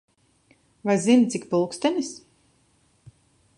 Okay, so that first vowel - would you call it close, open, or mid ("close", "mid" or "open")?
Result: open